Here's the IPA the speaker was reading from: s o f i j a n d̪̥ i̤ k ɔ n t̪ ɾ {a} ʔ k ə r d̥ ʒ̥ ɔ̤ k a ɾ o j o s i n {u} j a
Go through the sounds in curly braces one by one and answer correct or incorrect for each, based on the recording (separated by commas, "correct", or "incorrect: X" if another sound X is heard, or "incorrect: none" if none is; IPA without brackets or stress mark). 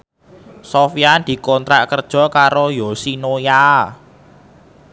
correct, incorrect: o